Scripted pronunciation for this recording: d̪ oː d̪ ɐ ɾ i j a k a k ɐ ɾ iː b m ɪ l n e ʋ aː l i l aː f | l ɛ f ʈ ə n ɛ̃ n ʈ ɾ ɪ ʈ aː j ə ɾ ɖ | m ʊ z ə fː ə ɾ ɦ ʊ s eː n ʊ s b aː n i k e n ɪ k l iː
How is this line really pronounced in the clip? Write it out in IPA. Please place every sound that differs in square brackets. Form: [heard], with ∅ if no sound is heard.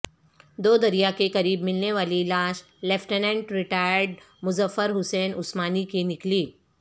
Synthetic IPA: d̪ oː d̪ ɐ ɾ i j a k [e] k ɐ ɾ iː b m ɪ l n e ʋ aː l i l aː [ʃ] | l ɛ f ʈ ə n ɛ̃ [ɳ] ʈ ɾ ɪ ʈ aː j ə ɾ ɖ | m ʊ z ə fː ə ɾ ɦ ʊ s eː n ʊ s [m] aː n i k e n ɪ k l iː